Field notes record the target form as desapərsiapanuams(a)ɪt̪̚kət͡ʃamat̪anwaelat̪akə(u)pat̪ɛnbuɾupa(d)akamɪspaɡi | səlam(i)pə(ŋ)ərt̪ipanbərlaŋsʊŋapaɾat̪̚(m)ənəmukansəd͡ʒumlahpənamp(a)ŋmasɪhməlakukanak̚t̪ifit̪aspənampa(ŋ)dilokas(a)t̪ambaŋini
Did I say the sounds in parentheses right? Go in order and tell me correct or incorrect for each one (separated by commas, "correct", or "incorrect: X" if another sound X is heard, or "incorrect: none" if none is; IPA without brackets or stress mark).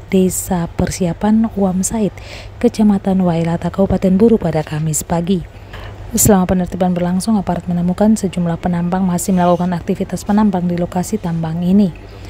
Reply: correct, correct, correct, incorrect: a, incorrect: n, correct, correct, correct, incorrect: i